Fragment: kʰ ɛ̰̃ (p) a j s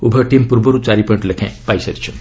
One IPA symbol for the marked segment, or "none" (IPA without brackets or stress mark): p